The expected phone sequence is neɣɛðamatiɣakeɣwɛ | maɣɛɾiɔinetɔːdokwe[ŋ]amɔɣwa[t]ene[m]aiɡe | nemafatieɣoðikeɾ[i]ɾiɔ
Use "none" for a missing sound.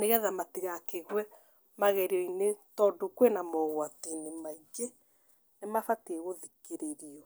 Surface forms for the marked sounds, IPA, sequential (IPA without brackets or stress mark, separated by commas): n, t, m, e